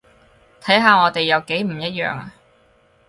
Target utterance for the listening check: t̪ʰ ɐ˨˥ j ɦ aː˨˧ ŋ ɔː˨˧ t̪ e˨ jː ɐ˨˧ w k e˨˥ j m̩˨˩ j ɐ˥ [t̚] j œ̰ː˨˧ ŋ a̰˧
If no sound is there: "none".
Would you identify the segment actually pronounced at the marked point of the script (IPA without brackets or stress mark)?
t̚